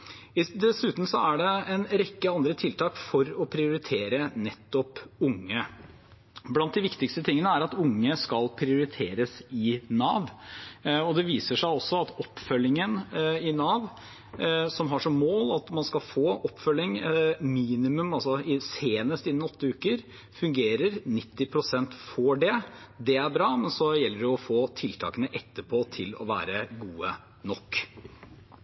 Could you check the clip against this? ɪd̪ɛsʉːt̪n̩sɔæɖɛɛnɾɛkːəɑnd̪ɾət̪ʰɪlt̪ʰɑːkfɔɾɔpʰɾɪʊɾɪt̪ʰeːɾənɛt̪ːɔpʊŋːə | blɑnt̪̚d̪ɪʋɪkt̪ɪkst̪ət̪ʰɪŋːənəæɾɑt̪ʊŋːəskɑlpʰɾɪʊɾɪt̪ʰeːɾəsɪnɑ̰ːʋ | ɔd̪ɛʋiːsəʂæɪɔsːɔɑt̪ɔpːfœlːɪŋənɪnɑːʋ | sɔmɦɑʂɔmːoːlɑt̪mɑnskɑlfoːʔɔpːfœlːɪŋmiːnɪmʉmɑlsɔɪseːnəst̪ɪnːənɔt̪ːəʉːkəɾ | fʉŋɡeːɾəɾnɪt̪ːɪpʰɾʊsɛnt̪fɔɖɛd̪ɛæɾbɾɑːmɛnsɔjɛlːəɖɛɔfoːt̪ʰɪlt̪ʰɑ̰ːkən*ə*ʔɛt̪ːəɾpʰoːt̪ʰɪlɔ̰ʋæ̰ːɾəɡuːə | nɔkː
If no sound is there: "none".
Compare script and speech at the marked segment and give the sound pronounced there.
ə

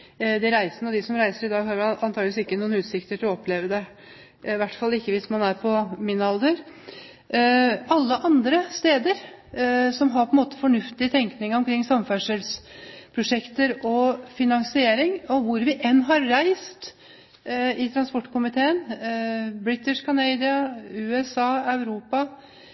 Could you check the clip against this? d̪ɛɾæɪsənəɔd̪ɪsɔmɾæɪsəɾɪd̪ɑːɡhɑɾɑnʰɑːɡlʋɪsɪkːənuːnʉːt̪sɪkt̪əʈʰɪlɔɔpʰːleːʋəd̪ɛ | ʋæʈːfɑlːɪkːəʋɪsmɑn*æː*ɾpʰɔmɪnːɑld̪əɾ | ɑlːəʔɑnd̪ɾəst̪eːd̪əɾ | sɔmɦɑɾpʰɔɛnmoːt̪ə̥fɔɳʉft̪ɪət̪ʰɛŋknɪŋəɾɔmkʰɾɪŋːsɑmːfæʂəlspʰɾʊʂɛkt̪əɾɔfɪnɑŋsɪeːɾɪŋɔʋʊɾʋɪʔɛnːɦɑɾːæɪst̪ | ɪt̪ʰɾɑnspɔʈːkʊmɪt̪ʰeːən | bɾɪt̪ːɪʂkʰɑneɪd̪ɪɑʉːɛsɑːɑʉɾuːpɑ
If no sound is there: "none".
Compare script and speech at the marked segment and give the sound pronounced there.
æ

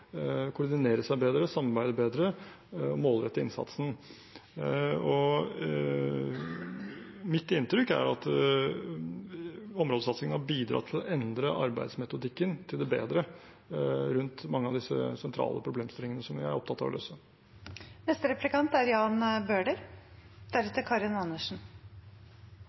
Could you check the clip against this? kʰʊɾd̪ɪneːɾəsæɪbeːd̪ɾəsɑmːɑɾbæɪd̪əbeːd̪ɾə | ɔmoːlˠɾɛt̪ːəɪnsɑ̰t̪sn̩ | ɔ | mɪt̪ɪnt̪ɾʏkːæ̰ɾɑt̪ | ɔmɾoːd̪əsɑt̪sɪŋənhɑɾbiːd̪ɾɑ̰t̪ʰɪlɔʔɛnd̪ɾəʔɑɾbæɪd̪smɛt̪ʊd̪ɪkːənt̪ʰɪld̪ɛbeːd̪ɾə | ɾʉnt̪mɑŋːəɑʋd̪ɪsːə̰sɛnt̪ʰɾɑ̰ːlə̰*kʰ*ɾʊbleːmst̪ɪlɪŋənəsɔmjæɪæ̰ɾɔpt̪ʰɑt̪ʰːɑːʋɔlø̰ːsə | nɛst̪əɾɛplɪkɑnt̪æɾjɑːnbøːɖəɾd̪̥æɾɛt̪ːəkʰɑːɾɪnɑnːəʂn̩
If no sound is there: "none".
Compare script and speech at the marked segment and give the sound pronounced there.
pʰ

